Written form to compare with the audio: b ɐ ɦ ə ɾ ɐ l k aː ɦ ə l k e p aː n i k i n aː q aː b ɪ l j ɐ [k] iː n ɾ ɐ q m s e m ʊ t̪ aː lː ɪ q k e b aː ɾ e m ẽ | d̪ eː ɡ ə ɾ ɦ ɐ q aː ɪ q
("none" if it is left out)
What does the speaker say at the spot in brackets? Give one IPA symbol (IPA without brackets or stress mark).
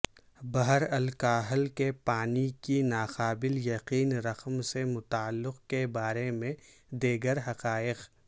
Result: q